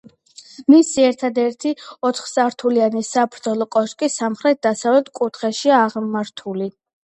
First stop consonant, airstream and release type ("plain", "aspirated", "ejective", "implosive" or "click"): aspirated